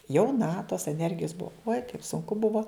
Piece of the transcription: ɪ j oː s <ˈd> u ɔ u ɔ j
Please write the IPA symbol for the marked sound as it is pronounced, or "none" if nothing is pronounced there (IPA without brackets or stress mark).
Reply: b